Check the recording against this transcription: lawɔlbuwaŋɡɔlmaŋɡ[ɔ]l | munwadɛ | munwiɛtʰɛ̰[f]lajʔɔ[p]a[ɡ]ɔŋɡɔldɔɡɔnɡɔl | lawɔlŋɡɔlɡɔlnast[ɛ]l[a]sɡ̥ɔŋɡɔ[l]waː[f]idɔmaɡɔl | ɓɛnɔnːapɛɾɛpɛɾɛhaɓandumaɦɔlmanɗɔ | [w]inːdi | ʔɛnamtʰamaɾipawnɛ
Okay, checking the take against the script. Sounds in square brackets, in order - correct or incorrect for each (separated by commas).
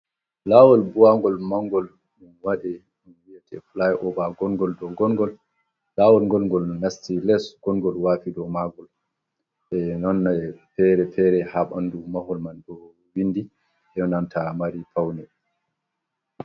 correct, correct, incorrect, correct, incorrect, incorrect, correct, correct, correct